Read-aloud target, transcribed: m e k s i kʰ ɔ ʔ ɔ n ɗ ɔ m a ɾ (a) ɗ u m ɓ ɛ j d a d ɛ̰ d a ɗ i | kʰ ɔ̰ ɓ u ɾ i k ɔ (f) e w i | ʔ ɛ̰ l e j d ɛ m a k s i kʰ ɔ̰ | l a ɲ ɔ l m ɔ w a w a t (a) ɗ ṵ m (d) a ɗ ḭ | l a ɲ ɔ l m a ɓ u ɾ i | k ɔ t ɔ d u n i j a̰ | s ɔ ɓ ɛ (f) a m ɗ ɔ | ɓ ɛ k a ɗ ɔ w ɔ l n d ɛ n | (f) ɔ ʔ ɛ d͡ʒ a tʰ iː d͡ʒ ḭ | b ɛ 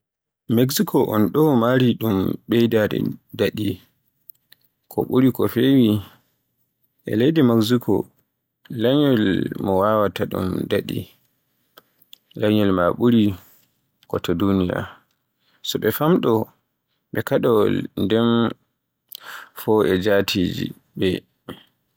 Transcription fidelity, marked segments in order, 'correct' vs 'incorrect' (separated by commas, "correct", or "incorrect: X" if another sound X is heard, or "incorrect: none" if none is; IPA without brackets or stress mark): incorrect: i, correct, correct, correct, correct, correct